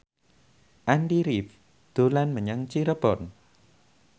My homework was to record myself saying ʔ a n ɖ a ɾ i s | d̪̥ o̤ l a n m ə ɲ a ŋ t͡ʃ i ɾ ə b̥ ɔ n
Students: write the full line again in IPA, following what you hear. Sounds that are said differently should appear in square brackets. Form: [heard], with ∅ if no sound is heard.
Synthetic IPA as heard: ʔ a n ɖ [i] ɾ i [f] | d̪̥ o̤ l a n m ə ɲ a ŋ t͡ʃ i ɾ ə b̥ ɔ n